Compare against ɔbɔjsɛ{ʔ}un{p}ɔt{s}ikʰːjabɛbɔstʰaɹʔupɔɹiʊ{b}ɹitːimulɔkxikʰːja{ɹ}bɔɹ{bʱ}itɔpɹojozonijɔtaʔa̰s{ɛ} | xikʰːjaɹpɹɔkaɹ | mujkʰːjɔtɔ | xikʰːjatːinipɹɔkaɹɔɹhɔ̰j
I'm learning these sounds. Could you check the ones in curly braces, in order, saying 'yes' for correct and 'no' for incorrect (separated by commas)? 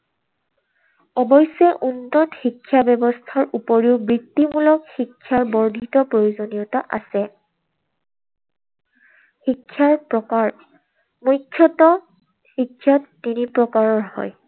yes, no, no, yes, yes, no, yes